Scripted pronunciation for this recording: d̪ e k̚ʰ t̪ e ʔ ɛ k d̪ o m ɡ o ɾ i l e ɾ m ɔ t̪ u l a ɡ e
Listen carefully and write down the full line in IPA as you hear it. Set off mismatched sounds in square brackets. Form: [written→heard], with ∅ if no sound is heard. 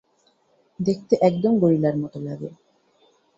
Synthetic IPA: d̪ e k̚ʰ t̪ e ʔ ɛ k d̪ o m ɡ o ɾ i l [e→a] ɾ m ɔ t̪ [u→o] l a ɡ e